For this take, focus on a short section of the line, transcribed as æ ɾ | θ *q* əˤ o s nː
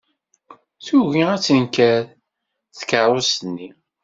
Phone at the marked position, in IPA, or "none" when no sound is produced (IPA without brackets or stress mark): k